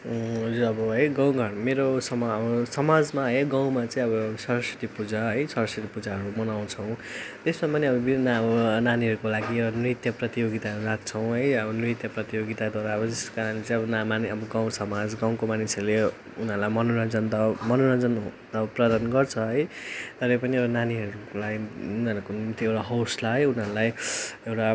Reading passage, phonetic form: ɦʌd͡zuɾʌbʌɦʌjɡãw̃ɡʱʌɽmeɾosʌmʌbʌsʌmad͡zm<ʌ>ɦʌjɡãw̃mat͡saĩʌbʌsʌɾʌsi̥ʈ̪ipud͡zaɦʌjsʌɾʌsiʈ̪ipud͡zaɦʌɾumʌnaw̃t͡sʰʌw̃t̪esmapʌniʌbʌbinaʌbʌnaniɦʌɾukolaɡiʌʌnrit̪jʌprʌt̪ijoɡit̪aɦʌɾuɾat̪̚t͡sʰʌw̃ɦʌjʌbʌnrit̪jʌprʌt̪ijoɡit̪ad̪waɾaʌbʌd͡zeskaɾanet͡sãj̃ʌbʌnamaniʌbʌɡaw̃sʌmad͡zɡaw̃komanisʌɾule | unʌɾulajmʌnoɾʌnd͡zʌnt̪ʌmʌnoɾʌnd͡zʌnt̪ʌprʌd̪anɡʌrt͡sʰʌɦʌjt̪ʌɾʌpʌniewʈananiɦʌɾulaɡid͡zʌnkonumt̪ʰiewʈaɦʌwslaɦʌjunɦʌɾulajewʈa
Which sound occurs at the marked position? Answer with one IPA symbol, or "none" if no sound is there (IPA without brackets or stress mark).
a